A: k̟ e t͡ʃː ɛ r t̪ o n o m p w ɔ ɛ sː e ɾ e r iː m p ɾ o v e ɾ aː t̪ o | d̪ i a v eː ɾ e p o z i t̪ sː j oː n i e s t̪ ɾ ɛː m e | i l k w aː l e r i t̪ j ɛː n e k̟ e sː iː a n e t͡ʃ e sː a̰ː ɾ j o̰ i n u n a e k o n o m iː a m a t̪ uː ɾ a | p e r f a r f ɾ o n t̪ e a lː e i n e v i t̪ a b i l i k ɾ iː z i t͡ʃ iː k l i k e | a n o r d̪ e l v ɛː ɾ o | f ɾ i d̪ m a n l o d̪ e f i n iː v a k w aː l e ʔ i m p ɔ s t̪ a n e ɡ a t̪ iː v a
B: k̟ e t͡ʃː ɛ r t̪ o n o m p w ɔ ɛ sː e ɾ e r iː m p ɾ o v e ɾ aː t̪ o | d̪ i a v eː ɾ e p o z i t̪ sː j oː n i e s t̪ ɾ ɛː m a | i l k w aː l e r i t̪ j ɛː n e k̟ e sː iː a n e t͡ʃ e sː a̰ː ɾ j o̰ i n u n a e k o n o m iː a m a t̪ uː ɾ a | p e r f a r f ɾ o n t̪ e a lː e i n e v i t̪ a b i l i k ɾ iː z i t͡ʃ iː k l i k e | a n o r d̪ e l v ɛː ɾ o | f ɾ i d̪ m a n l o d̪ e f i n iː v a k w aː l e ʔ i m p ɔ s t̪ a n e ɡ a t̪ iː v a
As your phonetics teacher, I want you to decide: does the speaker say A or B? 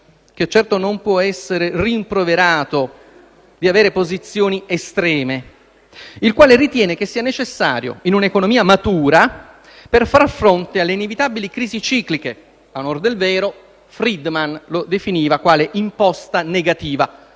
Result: A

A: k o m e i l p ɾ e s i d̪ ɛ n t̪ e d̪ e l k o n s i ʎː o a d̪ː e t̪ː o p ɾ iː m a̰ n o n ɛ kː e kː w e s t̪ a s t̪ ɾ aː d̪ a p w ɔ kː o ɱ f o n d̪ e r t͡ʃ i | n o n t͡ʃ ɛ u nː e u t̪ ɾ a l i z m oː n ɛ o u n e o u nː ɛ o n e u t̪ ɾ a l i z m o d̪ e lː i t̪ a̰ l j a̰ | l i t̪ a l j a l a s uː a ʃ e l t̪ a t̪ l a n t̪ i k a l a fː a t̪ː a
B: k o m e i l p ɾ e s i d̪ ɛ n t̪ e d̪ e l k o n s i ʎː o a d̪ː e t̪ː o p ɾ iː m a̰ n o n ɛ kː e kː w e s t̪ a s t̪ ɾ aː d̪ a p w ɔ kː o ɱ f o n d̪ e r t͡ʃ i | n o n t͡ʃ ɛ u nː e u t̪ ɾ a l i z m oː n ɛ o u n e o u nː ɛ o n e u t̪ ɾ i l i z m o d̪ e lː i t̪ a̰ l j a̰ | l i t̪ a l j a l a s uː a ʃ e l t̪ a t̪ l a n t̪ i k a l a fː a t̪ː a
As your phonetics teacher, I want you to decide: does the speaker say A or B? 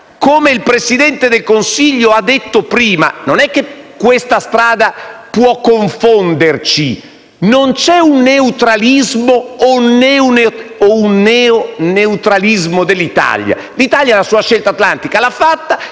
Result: A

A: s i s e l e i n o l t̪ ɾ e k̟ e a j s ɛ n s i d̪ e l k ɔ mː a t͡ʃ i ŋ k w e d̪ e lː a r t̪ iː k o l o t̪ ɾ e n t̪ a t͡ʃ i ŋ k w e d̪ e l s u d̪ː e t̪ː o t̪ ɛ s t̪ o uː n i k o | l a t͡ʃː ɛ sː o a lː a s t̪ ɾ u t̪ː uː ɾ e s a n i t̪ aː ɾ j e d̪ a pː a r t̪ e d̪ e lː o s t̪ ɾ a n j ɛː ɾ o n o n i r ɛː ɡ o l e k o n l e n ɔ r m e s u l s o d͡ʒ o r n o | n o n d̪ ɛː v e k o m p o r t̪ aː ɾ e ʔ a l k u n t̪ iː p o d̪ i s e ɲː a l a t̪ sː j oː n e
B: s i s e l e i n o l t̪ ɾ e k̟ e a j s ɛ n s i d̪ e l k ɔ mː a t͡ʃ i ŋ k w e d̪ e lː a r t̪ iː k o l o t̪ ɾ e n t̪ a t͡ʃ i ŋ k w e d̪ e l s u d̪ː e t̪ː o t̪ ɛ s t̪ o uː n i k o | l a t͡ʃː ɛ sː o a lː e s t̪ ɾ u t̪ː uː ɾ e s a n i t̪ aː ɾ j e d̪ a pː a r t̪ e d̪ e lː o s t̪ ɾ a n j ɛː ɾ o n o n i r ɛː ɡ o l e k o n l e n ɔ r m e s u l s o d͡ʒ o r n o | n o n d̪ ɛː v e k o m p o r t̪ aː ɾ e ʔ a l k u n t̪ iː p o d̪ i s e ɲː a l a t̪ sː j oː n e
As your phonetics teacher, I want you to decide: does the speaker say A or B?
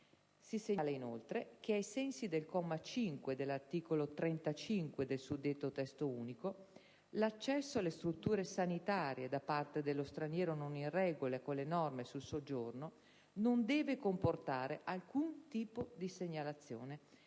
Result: B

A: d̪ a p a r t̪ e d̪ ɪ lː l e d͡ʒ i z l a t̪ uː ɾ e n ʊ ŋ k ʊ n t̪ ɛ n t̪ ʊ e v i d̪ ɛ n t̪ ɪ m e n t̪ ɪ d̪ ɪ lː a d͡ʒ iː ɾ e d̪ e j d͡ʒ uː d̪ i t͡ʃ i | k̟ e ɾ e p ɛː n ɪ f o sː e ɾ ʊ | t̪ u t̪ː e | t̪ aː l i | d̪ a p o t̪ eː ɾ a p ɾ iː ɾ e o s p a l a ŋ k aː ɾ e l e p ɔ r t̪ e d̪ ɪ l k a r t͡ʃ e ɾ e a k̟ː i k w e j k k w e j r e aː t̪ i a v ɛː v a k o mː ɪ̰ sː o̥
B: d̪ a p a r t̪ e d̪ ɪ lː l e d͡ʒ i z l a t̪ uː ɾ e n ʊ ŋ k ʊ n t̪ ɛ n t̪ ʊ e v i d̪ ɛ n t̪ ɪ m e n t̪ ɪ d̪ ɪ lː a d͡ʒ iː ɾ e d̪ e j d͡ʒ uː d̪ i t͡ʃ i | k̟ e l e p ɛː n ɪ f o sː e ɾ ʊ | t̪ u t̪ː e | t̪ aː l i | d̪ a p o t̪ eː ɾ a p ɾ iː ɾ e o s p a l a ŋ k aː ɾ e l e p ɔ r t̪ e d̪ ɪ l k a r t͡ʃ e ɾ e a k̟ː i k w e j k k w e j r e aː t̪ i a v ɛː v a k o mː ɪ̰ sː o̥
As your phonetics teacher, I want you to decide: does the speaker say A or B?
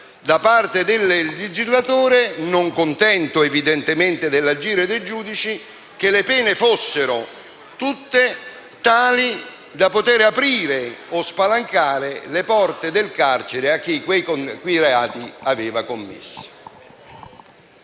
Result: B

